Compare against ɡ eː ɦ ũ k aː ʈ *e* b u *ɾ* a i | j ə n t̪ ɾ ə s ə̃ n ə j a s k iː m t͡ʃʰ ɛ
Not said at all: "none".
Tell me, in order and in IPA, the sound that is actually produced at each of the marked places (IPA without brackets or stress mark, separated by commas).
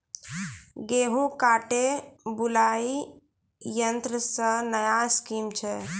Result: e, l